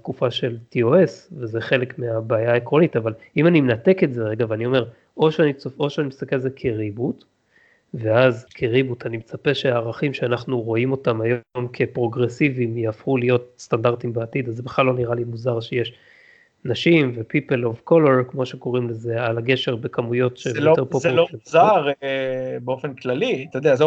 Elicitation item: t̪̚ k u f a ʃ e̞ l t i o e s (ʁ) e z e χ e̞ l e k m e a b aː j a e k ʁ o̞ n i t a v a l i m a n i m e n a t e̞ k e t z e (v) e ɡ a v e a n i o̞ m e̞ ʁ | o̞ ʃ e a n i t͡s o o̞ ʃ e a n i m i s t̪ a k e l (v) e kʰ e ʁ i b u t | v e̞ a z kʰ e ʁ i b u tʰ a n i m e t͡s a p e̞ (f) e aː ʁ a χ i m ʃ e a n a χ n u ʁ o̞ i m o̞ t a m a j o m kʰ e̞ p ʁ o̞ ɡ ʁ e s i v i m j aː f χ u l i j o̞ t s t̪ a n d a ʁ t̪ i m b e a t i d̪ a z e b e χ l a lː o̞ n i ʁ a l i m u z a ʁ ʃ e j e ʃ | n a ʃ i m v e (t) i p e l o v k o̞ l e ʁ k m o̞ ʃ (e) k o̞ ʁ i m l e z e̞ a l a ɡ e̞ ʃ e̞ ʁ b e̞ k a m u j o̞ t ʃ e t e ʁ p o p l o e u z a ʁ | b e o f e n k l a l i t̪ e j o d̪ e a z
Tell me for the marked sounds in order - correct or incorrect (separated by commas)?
incorrect, incorrect, incorrect, incorrect, incorrect, correct